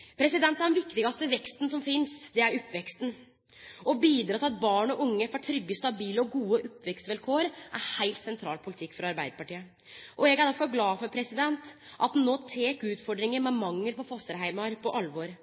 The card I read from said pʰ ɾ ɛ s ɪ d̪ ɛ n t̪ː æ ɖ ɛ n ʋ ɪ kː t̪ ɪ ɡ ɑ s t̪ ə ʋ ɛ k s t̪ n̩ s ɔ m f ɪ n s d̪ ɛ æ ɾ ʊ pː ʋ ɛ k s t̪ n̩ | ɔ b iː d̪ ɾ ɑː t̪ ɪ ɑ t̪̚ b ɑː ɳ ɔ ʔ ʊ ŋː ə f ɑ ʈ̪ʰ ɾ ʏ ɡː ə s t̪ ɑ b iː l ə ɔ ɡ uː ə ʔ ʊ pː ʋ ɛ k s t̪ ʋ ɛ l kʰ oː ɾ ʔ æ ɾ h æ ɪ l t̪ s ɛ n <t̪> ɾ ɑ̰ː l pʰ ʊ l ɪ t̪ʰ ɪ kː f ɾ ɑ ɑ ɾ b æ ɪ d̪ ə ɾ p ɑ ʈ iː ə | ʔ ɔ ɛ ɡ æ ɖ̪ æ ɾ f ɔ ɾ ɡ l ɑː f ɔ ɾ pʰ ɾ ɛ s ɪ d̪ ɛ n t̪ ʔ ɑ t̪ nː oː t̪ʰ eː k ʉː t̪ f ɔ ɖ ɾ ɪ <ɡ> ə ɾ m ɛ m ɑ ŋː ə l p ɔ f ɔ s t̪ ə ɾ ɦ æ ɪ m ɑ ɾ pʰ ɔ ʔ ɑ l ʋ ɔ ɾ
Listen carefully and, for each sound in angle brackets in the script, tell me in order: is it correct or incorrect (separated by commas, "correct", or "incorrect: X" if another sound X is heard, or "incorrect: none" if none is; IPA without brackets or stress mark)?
incorrect: t̪ʰ, incorrect: ŋ